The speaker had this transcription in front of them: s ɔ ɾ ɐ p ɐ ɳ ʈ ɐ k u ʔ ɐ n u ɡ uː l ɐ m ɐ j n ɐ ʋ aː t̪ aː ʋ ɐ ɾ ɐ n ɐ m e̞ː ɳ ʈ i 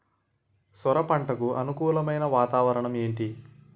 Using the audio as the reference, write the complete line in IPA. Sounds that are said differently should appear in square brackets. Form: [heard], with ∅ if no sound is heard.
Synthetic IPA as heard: s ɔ ɾ ɐ p ɐ ɳ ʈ ɐ k u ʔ ɐ n u [k] uː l ɐ m ɐ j n ɐ ʋ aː t̪ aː ʋ ɐ ɾ ɐ [ɳ] ɐ m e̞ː ɳ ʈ i